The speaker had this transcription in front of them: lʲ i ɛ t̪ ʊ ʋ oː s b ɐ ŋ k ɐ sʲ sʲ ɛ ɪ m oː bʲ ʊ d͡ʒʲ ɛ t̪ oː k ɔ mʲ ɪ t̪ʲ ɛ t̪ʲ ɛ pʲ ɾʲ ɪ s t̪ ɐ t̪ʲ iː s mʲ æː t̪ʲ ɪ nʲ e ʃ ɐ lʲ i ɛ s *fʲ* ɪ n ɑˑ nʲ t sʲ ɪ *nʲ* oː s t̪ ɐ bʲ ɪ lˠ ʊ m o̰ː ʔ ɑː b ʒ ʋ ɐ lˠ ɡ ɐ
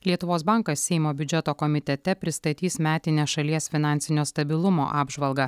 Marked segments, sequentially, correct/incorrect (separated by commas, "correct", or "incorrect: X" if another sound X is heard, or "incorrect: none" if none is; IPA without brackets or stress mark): correct, correct